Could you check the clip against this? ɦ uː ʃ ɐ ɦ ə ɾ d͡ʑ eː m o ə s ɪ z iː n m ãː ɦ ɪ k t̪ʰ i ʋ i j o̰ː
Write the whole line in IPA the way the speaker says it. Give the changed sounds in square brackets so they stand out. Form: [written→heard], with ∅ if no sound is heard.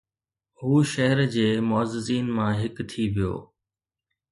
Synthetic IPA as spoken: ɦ uː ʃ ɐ ɦ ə ɾ d͡ʑ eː m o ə [s→z] ɪ z iː n m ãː ɦ ɪ k t̪ʰ i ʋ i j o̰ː